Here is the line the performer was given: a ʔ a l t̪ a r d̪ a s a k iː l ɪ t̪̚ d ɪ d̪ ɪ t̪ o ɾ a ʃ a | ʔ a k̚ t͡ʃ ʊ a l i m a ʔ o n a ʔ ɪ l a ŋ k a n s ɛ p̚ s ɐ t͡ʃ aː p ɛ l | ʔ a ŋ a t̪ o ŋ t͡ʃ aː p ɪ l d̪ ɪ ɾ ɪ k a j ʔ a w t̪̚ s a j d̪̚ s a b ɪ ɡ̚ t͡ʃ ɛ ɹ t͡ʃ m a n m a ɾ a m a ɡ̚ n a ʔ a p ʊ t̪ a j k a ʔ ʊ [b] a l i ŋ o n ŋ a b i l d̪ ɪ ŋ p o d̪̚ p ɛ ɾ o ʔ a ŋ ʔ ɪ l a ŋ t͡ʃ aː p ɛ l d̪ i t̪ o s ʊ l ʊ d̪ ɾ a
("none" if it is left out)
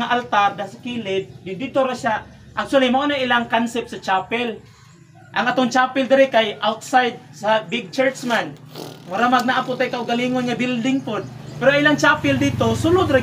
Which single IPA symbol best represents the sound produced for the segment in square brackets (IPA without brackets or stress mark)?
ɡ